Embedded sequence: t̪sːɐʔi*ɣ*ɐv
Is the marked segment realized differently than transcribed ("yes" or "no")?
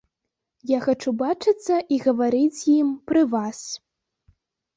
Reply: no